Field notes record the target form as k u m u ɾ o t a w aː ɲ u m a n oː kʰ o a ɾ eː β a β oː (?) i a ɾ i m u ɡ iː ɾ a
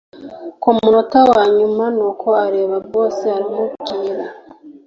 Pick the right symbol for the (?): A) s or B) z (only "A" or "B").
A